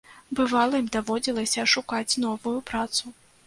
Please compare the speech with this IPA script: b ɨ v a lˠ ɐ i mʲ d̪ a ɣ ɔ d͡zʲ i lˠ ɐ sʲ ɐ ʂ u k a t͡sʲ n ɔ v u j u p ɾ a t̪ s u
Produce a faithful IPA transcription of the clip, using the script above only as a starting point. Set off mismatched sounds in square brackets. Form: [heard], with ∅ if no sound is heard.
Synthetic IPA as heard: b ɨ v a lˠ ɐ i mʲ d̪ a [v] ɔ d͡zʲ i lˠ ɐ sʲ ɐ ʂ u k a t͡sʲ n ɔ v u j u p ɾ a t̪ s u